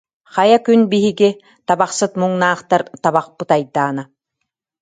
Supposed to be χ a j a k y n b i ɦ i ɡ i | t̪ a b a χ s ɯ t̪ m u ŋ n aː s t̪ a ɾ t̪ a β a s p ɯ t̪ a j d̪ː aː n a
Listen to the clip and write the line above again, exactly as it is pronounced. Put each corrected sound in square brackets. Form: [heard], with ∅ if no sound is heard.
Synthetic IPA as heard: χ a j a k y n b i ɦ i ɡ i | t̪ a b a χ s ɯ t̪ m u ŋ n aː [χ] t̪ a ɾ t̪ a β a [χ] p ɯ t̪ a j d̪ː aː n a